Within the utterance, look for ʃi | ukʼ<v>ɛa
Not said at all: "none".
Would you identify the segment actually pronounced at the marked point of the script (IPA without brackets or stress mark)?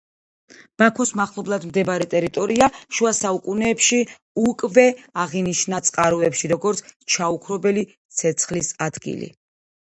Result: v